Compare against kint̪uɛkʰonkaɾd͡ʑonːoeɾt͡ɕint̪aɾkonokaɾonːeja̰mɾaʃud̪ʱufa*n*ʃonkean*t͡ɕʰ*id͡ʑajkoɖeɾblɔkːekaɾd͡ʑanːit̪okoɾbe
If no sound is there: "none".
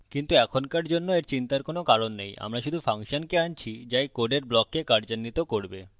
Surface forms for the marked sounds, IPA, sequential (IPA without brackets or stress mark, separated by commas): ŋ, t͡ɕʰ